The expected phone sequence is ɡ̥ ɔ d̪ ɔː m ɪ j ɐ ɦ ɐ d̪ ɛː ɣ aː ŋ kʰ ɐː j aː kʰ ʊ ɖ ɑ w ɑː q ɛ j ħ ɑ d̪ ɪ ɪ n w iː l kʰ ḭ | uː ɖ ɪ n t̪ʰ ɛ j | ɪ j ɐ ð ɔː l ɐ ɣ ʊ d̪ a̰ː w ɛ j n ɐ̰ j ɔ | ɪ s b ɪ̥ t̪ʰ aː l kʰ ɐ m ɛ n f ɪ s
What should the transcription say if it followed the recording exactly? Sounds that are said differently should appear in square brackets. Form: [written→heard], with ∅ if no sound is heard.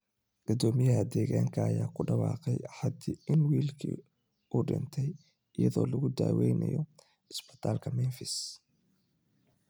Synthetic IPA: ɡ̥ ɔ d̪ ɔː m ɪ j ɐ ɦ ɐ d̪ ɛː ɣ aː ŋ kʰ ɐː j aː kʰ ʊ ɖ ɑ w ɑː q ɛ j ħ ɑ d̪ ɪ ɪ n w iː l kʰ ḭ | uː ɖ ɪ n t̪ʰ ɛ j | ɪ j ɐ ð ɔː l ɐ ɣ ʊ d̪ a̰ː w ɛ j n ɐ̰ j ɔ | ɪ s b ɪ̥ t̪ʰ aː l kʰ ɐ m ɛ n f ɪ s